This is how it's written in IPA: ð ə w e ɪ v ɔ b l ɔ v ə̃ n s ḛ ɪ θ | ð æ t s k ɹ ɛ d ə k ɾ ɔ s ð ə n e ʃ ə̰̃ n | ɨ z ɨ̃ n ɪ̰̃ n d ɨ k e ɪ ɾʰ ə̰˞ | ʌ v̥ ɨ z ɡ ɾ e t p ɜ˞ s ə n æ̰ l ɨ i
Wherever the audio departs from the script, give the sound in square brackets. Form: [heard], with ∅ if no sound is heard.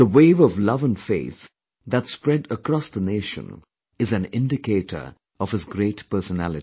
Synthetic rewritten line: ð ə w e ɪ v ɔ [v] l [ʌ] v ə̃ n [f] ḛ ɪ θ | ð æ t s [p] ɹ ɛ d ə k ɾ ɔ s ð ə n e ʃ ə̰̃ n | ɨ z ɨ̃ n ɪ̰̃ n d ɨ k e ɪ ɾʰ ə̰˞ | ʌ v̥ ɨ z ɡ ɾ e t p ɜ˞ s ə n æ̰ l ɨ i